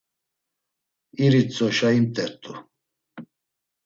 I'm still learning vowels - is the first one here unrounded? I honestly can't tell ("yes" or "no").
yes